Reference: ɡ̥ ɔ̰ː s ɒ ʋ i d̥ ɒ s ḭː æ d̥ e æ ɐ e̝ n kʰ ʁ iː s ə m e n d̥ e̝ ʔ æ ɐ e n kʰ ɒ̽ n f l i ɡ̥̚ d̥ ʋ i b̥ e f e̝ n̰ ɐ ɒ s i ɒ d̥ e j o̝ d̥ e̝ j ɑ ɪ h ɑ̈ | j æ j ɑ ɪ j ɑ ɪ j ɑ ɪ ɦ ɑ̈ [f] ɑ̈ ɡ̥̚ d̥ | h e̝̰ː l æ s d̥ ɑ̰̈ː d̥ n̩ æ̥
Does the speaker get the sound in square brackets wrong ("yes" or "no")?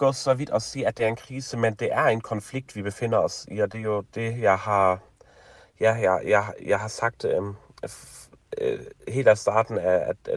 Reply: yes